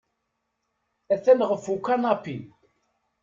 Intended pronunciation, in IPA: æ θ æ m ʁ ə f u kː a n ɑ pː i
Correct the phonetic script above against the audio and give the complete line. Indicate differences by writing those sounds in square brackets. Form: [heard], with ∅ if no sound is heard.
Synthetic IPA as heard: æ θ æ [n] ʁ ə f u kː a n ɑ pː i